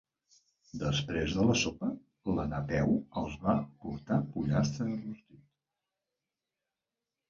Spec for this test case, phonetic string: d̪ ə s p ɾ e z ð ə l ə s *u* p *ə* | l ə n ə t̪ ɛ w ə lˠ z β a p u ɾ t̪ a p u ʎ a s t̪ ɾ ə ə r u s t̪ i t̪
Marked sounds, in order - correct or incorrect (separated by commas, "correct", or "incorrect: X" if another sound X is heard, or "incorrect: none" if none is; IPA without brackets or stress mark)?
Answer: incorrect: o, correct